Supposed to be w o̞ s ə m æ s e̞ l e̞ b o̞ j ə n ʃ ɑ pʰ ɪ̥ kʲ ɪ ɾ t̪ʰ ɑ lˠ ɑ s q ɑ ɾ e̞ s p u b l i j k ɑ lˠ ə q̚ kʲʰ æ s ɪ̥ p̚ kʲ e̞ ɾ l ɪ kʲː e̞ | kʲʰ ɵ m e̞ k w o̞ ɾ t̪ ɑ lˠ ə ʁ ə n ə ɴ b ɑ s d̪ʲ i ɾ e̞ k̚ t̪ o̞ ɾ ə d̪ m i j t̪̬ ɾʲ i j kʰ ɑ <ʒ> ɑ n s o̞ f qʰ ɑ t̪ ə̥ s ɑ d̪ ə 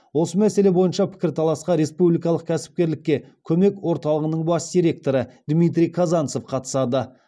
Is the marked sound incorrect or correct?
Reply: incorrect